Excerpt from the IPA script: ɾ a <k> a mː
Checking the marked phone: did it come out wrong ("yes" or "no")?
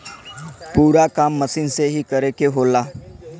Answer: no